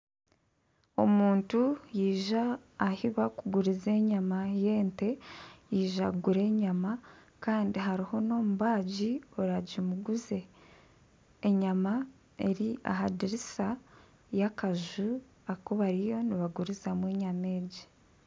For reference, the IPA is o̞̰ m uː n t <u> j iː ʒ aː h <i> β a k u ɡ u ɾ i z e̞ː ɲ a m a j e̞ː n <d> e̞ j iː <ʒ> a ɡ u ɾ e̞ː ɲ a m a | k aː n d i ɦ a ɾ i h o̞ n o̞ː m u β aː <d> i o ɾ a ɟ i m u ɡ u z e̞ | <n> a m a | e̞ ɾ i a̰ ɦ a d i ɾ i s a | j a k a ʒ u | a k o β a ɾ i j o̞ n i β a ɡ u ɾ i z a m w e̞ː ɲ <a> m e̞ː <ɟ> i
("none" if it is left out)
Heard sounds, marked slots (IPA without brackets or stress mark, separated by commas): u, i, t, ʒ, ɟ, ɲ, a, ɟ